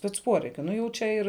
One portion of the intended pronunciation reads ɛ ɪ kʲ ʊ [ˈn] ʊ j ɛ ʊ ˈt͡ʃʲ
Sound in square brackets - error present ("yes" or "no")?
no